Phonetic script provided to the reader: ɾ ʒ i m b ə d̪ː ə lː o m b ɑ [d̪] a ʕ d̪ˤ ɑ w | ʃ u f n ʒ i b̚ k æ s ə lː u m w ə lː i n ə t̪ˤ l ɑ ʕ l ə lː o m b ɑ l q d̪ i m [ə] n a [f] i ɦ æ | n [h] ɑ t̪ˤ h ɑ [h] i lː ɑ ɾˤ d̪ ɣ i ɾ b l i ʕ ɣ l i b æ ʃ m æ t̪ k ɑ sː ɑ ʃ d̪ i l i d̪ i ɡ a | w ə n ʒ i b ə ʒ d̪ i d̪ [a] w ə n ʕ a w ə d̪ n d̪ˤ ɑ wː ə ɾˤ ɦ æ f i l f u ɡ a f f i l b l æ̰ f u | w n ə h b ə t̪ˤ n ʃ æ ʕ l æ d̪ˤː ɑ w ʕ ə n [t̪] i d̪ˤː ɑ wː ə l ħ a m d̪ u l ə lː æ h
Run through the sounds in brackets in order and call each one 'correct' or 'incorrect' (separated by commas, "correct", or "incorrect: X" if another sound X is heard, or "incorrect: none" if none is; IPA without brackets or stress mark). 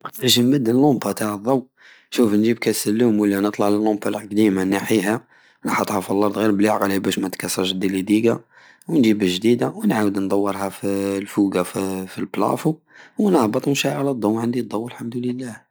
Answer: incorrect: t̪, incorrect: a, incorrect: ħ, incorrect: ħ, incorrect: f, correct, incorrect: d̪